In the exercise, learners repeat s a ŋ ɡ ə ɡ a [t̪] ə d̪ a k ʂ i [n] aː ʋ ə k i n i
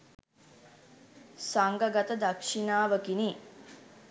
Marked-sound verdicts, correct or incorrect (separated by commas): correct, correct